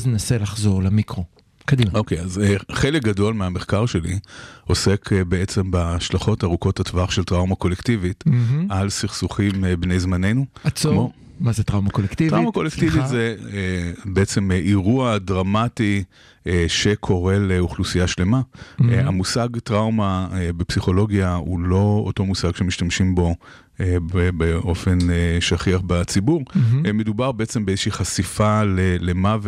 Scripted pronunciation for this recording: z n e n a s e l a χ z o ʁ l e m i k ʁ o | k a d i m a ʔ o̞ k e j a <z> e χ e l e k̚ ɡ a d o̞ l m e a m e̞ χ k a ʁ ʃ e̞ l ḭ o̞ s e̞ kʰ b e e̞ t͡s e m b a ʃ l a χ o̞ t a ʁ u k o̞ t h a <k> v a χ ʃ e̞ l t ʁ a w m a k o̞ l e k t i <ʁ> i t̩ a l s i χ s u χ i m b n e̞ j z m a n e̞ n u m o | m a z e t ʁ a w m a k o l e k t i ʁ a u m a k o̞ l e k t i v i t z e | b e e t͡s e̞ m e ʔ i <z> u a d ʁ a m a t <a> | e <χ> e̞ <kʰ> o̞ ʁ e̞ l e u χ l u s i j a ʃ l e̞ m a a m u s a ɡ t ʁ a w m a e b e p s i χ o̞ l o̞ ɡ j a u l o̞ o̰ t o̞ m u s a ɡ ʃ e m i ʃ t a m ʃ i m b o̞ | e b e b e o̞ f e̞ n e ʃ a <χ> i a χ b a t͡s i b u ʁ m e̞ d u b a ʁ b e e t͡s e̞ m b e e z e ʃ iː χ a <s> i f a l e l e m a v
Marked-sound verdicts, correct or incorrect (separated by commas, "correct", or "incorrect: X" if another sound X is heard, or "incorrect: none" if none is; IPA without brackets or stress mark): correct, incorrect: t, incorrect: v, incorrect: ʁ, incorrect: i, incorrect: ʃ, correct, correct, correct